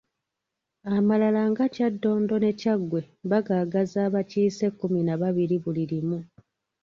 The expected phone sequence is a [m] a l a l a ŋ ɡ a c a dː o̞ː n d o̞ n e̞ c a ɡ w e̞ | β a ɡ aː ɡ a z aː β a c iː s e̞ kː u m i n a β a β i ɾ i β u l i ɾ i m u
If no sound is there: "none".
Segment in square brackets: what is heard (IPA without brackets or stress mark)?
m